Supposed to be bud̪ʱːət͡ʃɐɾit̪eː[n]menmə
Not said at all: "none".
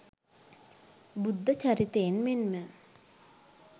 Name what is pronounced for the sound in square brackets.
n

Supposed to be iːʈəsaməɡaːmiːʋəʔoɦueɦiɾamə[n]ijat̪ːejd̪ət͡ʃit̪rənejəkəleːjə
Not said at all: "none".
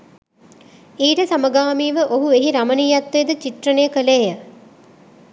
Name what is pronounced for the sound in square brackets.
n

